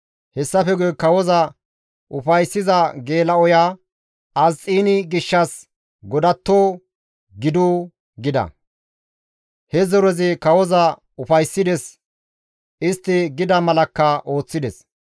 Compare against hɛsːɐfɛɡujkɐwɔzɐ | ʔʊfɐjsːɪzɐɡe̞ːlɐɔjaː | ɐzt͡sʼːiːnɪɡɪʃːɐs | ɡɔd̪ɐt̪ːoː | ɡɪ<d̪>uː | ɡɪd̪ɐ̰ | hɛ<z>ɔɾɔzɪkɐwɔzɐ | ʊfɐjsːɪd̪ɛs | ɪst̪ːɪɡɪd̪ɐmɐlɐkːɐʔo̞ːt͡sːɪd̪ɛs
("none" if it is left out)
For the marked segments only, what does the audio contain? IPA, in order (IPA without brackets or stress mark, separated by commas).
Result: d̪, z